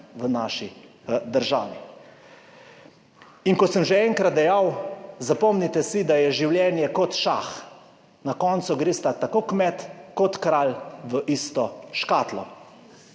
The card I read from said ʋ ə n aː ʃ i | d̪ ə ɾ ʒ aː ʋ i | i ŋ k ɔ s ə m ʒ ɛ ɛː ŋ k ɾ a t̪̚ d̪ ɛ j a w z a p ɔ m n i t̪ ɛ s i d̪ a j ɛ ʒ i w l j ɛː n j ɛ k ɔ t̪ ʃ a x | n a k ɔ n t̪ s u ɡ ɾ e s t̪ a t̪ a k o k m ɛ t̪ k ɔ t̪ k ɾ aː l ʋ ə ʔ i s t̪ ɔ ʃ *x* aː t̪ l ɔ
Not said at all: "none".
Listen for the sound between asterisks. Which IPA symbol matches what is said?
k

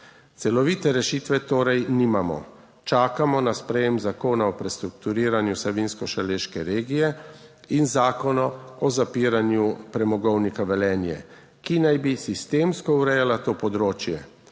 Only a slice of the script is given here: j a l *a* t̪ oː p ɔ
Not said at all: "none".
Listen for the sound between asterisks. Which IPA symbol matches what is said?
a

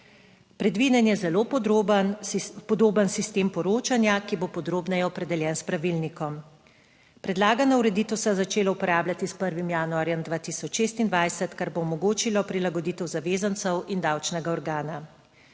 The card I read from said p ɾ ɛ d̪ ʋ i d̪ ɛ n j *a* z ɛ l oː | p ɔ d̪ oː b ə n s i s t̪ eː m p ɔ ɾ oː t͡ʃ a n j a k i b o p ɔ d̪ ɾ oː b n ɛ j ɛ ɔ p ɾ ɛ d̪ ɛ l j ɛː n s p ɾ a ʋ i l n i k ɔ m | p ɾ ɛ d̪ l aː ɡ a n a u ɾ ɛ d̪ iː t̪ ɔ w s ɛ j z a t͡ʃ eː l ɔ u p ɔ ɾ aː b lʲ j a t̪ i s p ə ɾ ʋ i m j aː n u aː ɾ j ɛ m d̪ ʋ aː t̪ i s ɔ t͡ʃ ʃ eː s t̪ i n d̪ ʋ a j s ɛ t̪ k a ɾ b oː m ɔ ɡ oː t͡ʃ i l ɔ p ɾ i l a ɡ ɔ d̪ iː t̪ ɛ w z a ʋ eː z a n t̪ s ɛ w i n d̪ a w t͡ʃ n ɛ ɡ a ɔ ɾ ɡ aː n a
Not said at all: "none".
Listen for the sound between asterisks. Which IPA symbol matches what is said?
ɛ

